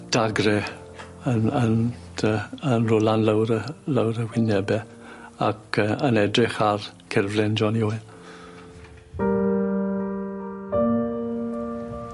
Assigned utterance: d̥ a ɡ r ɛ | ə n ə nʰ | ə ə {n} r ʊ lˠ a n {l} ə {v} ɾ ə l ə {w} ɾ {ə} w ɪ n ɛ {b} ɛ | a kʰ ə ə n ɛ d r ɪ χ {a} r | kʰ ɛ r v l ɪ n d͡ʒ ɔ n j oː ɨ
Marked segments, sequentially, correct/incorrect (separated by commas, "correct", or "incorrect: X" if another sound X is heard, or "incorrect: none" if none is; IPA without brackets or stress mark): correct, correct, incorrect: w, correct, correct, correct, correct